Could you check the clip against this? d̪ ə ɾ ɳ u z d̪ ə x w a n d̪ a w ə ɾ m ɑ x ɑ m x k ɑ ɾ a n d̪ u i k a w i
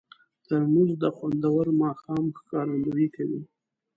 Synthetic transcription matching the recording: t̪ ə ɾ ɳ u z d̪ ə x w a n d̪ a w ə ɾ m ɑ x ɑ m x k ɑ ɾ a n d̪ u i k a w i